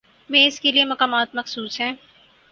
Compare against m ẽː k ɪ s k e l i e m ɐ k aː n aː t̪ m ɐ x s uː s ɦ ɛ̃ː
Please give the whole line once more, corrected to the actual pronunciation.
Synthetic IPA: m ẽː ɪ s k e l i e m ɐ k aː m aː t̪ m ɐ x s uː s ɦ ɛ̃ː